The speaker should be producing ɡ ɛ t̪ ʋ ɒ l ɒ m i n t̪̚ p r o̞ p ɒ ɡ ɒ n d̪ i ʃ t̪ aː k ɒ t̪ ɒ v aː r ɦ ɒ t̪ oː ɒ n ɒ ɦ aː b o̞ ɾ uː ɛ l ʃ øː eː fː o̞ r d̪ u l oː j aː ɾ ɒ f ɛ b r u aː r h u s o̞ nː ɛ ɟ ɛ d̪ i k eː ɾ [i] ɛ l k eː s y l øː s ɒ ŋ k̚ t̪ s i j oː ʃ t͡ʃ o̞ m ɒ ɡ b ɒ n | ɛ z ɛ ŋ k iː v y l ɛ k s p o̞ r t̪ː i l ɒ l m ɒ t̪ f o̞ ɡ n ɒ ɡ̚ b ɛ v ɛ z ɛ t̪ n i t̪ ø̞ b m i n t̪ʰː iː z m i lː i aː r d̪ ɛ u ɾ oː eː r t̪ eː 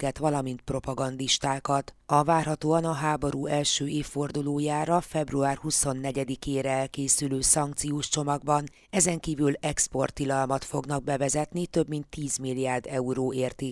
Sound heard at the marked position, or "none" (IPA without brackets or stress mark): ɛ